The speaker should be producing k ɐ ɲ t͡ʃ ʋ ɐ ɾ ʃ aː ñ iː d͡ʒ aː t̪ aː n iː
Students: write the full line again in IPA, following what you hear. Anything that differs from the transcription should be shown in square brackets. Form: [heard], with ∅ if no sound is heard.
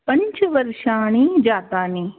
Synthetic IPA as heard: [p] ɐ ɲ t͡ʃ ʋ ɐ ɾ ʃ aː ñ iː d͡ʒ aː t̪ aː n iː